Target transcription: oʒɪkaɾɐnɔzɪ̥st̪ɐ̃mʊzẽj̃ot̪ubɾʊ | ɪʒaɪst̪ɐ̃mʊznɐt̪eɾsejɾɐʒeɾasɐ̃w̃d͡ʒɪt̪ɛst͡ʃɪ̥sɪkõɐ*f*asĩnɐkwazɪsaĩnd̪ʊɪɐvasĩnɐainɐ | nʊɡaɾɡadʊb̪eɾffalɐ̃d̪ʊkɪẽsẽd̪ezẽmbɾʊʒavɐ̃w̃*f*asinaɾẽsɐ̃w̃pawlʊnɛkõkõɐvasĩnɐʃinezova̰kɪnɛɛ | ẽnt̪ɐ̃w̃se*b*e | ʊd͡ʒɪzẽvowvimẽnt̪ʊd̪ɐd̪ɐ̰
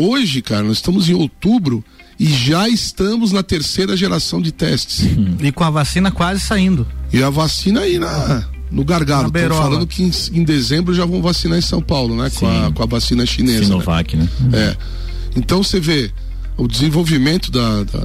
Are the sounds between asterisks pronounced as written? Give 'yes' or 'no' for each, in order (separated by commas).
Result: no, no, no